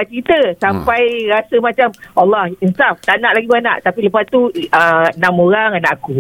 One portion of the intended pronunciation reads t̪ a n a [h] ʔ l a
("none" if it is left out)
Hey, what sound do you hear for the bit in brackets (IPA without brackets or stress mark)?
none